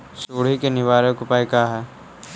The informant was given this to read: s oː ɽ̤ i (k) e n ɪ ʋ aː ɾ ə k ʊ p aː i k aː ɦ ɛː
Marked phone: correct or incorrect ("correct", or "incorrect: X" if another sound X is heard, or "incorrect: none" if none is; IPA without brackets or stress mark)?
correct